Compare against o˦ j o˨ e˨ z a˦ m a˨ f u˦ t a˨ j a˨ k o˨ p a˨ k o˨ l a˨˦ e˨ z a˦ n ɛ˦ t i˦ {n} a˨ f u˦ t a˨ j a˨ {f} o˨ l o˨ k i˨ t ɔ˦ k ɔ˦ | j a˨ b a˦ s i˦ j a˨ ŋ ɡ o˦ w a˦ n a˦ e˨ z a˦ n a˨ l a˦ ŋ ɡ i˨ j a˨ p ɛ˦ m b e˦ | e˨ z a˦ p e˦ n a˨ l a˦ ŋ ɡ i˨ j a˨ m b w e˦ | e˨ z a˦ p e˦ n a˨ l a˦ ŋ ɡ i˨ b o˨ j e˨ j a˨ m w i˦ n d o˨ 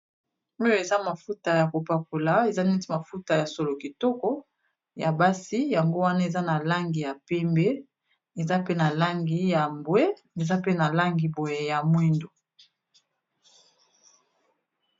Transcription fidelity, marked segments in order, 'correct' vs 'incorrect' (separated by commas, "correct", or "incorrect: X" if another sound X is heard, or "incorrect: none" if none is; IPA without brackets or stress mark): incorrect: m, incorrect: s